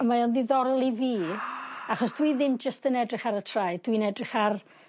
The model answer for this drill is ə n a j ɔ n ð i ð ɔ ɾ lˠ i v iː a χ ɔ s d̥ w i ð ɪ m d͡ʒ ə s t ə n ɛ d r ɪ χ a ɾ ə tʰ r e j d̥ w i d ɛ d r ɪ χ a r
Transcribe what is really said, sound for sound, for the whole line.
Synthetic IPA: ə m a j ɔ n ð i ð ɔ ɾ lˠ i v iː a χ ɔ s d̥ w i ð ɪ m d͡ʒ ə s t ə n ɛ d r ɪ χ a ɾ ə tʰ r a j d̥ w i n ɛ d r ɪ χ a r